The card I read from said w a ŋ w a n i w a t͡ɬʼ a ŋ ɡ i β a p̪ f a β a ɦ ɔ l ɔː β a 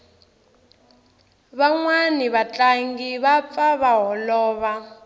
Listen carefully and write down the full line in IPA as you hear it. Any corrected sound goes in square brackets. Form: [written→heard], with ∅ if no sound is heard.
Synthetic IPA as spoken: [w→β] a ŋ w a n i [w→β] a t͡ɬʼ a ŋ ɡ i β a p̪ f a β a ɦ ɔ l ɔː β a